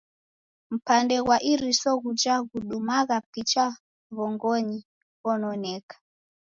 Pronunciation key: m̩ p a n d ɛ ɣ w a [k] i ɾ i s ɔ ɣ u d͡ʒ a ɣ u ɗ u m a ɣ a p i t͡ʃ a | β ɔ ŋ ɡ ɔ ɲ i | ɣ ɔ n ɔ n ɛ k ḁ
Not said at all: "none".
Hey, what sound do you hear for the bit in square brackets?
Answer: ʔ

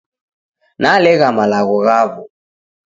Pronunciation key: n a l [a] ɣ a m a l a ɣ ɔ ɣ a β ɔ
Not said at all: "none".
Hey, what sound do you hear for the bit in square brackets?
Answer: ɛ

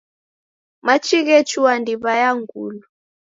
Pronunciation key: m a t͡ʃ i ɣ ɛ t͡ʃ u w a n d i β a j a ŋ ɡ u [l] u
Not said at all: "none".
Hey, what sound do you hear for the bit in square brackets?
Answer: l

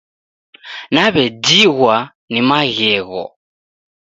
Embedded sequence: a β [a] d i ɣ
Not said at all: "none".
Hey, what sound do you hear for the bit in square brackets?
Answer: ɛ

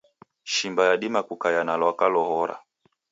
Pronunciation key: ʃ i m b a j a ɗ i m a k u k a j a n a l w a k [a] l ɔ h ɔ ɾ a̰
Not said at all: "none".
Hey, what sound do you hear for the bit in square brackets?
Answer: a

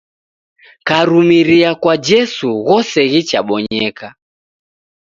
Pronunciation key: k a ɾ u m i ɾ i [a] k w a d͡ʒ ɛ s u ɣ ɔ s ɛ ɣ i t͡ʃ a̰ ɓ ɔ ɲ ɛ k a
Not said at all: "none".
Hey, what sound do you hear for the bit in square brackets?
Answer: a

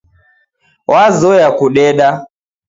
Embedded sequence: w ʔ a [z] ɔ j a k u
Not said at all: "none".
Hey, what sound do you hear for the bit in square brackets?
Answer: z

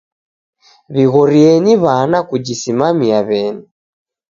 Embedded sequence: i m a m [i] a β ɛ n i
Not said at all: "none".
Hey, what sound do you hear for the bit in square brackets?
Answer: i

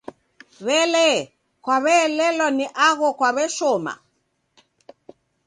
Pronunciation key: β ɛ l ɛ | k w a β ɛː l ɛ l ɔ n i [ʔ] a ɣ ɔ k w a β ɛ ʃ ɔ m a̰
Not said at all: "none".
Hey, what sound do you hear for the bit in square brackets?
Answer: ʔ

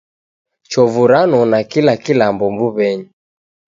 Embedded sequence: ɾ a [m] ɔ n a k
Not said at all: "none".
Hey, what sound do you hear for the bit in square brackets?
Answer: n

